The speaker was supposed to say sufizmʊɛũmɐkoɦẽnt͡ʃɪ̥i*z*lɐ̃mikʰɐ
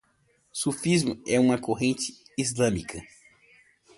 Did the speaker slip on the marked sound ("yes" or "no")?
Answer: no